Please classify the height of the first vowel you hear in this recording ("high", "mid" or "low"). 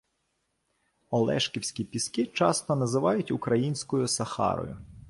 mid